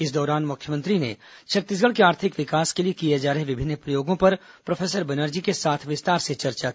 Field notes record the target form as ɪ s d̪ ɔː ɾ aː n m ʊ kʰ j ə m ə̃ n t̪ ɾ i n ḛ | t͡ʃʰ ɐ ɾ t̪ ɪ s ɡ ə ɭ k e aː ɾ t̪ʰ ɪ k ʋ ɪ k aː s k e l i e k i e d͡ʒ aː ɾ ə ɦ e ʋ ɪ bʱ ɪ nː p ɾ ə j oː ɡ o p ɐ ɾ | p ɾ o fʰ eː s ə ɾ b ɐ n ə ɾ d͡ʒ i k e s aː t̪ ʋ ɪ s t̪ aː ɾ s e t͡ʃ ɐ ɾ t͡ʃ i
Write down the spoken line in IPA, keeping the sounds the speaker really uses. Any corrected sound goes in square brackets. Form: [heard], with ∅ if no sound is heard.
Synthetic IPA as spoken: ɪ s d̪ ɔː ɾ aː n m ʊ kʰ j ə m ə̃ n t̪ ɾ i n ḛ | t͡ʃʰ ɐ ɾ t̪ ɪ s ɡ ə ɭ k e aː ɾ t̪ʰ ɪ k ʋ ɪ k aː s k e l i e k i e d͡ʒ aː ɾ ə ɦ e ʋ ɪ bʱ ɪ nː p ɾ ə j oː ɡ [õ] p ɐ ɾ | p ɾ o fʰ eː s ə ɾ b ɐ n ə ɾ d͡ʒ i k e s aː [t̪ʰ] ʋ ɪ s t̪ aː ɾ s e t͡ʃ ɐ ɾ t͡ʃ [a]